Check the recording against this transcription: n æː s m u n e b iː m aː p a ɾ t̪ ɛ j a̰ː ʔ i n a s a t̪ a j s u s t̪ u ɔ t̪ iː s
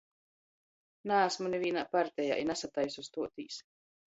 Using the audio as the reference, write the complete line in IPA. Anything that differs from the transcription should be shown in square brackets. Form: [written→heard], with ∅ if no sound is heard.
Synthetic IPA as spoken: n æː s m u n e [b→v] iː [m→n] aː p a ɾ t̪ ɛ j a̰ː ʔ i n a s a t̪ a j s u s t̪ u ɔ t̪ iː s

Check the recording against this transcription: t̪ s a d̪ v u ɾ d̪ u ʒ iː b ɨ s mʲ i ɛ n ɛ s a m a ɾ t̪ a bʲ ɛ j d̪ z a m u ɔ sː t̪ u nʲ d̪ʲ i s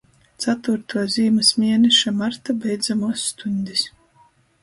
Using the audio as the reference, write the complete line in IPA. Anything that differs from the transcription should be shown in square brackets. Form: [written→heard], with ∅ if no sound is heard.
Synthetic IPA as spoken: t̪ s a [d̪→t̪] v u ɾ [d̪→t̪] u [ʒ→z] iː [b→m] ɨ s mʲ i ɛ n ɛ [s→ʃ] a m a ɾ t̪ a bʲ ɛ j d̪ z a m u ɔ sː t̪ u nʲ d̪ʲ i s

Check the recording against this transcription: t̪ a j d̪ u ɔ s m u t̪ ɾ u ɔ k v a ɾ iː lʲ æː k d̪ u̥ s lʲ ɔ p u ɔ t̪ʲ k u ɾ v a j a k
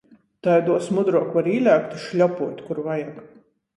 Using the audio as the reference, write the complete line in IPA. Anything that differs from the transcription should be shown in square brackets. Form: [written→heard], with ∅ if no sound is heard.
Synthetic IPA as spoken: t̪ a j d̪ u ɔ s m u [t̪→d̪] ɾ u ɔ k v a ɾ iː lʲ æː k [d̪→t̪] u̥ [s→ʃ] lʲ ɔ p u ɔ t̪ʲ k u ɾ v a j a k

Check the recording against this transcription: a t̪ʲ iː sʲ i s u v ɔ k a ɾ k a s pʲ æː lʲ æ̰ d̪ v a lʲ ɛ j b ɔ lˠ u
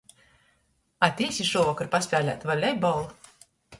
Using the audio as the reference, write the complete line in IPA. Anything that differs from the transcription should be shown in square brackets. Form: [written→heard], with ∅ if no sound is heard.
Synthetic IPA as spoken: a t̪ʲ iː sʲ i [s→ʃ] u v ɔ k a ɾ [k→p] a s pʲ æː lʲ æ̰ [d̪→t̪] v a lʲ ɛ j b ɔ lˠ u

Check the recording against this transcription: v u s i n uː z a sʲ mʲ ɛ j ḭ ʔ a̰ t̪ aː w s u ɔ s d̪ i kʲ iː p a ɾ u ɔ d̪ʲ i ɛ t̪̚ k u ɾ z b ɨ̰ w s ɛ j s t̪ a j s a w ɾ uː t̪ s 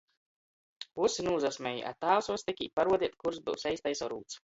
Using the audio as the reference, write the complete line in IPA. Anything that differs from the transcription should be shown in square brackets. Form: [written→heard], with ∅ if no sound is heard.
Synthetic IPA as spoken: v u s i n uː z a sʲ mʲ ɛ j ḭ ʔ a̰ t̪ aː w s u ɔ s [d̪→t̪] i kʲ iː p a ɾ u ɔ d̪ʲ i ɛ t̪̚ k u ɾ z b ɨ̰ w s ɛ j s t̪ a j s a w ɾ uː t̪ s

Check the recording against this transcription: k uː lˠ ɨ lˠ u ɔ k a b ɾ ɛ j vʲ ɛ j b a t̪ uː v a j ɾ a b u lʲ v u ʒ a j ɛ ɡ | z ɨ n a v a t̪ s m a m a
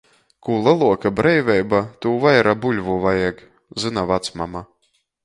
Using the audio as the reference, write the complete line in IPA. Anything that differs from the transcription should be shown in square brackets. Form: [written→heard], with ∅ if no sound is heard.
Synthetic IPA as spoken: k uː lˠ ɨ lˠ u ɔ k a b ɾ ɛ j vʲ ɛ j b a t̪ uː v a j ɾ a b u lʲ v u [ʒ→v] a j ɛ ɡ | z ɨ n a v a t̪ s m a m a

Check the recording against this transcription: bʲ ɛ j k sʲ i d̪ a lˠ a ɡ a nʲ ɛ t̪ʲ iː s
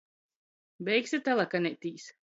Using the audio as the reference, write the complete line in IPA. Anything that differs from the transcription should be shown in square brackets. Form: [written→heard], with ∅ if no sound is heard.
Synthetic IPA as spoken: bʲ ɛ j k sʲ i [d̪→t̪] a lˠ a [ɡ→k] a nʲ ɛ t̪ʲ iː s

